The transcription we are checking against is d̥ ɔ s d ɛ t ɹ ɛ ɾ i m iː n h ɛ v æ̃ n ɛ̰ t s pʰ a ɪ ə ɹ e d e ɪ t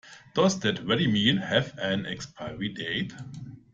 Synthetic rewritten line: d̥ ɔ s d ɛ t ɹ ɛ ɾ i m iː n h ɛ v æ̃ n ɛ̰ k s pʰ a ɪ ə ɹ i d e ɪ t